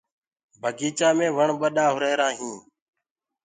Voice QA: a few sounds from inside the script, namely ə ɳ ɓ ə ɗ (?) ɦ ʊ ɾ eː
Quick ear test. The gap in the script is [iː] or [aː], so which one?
aː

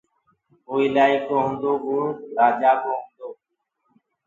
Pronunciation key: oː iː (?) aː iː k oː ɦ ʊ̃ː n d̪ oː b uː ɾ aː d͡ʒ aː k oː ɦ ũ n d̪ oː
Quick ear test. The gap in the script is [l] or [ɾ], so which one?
l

